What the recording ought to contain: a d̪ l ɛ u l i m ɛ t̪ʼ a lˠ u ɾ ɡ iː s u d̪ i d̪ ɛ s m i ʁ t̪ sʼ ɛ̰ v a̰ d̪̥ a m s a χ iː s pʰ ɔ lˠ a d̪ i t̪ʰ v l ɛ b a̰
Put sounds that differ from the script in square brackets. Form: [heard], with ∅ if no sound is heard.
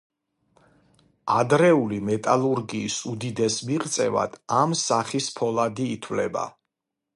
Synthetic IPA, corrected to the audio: a d̪ [ɾ] ɛ u l i m ɛ t̪ʼ a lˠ u ɾ ɡ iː s u d̪ i d̪ ɛ s m i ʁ t̪ sʼ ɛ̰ v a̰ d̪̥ a m s a χ [i] s pʰ ɔ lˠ a d̪ [iː] t̪ʰ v l ɛ b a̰